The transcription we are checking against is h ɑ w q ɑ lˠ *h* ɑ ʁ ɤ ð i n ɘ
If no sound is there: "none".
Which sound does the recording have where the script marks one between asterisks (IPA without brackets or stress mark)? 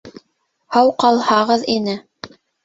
h